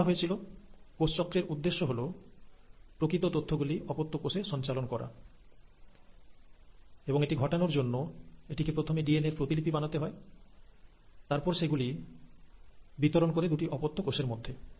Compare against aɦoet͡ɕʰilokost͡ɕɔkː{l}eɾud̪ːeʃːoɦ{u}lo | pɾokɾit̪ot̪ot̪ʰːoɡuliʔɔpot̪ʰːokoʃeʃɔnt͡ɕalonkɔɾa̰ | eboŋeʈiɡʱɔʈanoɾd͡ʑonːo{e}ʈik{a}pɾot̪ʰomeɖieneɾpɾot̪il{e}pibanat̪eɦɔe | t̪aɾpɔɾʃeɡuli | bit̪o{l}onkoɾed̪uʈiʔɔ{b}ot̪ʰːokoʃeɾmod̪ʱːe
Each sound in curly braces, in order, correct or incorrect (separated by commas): incorrect, incorrect, correct, incorrect, incorrect, incorrect, incorrect